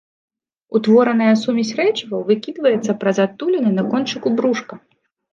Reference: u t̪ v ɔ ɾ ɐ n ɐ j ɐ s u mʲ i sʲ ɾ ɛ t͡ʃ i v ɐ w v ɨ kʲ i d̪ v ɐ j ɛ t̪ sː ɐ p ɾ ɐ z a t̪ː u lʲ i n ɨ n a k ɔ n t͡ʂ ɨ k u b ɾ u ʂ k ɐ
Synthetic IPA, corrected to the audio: u t̪ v ɔ ɾ ɐ n ɐ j ɐ s u mʲ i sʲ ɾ ɛ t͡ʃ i v ɐ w v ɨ kʲ i d̪ v ɐ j ɛ t̪ sː ɐ p ɾ ɐ z a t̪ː u lʲ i n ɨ n ɐ k ɔ n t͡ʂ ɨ k u b ɾ u ʂ k ɐ